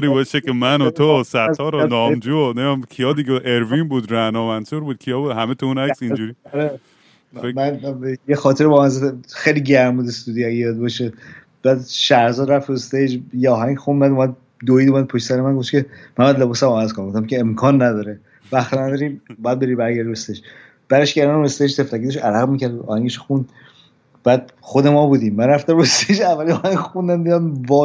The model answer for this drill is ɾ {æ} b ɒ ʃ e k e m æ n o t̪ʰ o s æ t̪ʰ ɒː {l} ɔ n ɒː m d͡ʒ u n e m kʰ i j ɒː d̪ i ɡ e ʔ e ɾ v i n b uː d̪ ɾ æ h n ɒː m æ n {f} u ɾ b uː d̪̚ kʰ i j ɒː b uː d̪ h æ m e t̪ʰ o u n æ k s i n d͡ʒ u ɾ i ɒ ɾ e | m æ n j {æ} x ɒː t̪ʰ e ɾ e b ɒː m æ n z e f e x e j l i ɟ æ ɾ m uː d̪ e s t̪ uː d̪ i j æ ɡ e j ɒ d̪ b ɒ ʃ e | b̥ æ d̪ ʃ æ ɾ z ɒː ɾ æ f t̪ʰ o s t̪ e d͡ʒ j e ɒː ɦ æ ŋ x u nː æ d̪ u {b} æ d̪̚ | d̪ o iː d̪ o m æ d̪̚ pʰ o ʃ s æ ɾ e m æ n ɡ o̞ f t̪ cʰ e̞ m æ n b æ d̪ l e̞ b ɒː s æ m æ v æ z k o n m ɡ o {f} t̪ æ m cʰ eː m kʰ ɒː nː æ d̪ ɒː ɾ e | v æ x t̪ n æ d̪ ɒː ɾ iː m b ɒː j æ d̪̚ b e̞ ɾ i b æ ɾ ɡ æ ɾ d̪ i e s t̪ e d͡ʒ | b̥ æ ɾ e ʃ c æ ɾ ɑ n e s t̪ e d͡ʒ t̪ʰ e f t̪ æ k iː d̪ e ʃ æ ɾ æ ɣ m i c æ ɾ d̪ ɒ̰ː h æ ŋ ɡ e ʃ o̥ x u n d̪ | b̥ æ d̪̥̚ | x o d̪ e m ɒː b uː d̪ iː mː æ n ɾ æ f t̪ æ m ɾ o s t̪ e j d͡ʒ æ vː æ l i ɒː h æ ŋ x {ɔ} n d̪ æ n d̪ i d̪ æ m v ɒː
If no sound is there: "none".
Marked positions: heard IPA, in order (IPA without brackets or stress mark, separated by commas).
i, ɾ, s, e, m, f, u